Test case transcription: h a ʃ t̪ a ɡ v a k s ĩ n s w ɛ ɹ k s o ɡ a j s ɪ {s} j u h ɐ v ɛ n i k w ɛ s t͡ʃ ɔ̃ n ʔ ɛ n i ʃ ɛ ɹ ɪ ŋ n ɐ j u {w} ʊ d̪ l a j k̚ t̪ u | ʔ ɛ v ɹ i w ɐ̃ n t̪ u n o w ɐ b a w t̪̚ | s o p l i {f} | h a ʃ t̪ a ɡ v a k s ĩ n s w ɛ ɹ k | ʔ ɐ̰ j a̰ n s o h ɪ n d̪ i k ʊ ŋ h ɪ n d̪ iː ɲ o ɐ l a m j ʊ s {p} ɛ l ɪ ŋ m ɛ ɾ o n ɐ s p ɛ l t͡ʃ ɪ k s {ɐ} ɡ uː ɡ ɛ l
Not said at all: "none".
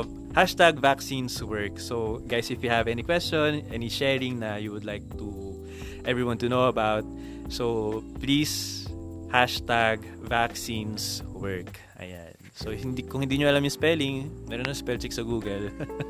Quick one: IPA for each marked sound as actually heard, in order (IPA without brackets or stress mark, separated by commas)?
f, w, s, p, ɐ